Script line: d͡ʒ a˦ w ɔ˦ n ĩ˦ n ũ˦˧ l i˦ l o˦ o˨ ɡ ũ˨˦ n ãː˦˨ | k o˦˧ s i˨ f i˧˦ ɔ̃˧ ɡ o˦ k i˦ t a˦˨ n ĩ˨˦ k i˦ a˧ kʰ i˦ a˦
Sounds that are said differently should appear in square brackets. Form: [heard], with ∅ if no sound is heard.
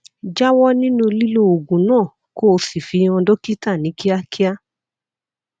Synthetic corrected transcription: d͡ʒ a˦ w ɔ˦ n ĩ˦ n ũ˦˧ l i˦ l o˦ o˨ ɡ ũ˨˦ n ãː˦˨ | k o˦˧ s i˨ f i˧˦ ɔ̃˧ [d] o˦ k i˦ t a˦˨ n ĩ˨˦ k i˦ a˧ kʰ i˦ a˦